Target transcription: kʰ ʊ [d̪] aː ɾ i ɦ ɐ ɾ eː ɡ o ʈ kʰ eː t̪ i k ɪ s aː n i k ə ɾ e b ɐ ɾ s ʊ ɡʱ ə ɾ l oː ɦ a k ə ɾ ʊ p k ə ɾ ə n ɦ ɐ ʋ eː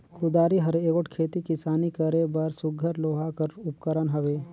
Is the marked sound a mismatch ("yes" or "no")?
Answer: no